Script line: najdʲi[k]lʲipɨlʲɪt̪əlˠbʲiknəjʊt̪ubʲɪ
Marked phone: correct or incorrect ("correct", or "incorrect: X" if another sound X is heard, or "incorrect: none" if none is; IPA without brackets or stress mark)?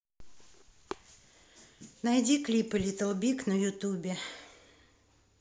correct